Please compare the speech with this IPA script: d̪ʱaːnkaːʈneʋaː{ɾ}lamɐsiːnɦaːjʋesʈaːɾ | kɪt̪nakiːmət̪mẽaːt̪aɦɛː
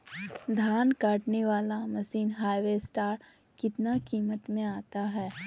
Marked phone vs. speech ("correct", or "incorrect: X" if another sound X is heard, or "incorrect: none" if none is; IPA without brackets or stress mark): incorrect: none